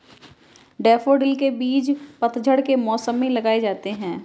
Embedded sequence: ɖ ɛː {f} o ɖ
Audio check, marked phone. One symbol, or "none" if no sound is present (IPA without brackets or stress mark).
f